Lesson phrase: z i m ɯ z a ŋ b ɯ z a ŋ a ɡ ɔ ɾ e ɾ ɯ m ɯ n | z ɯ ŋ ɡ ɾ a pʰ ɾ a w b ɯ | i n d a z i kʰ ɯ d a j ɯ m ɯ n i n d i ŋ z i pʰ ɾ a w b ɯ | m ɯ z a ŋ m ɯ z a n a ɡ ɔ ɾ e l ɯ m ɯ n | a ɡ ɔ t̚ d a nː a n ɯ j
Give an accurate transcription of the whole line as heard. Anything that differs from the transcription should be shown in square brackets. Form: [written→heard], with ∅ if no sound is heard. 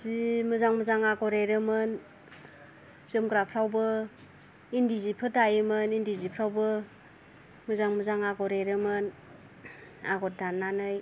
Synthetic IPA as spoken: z i m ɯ z a ŋ [b→m] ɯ z a ŋ a ɡ ɔ ɾ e ɾ ɯ m ɯ n | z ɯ [ŋ→m] ɡ ɾ a pʰ ɾ a w b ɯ | i n d [a→i] z i [kʰ→pʰ] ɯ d a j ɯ m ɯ n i n d i [ŋ→∅] z i pʰ ɾ a w b ɯ | m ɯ z a ŋ m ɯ z a [n→ŋ] a ɡ ɔ ɾ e [l→ɾ] ɯ m ɯ n | a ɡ ɔ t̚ d a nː a n ɯ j